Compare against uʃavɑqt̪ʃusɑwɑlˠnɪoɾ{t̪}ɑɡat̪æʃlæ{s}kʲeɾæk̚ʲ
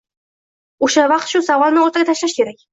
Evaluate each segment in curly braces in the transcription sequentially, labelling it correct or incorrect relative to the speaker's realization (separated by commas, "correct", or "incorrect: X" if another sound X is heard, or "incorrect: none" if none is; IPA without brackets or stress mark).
correct, incorrect: ʃ